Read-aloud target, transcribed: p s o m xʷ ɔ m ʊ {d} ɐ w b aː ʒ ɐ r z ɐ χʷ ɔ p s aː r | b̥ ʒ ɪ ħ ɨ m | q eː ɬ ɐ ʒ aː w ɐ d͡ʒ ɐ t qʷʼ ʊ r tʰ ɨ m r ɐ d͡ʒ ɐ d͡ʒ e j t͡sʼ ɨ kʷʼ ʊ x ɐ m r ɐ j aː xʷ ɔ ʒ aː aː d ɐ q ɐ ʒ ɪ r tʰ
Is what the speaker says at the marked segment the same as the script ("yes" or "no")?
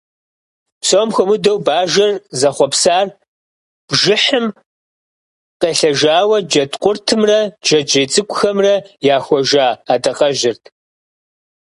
yes